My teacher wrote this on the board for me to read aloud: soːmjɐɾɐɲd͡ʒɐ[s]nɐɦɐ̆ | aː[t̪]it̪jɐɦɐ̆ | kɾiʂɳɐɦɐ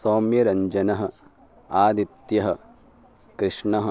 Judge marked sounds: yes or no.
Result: no, no

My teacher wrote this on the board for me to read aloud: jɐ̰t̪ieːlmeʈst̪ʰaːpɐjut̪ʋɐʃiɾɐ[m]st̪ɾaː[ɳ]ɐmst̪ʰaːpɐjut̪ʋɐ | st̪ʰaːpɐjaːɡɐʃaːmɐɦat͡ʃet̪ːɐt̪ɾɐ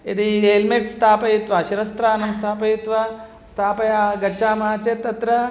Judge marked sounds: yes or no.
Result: no, no

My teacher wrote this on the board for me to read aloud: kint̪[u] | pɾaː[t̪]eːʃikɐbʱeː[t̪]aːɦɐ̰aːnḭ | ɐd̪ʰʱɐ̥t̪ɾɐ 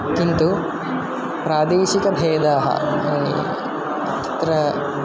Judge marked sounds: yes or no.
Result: yes, no, no

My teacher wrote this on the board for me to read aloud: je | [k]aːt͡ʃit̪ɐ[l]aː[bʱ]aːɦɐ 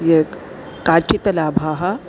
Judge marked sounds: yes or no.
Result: yes, yes, yes

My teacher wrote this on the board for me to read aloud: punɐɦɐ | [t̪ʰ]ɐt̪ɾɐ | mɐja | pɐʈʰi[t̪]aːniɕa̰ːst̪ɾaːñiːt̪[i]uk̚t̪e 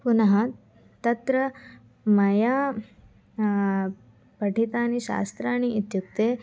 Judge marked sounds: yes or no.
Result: no, yes, no

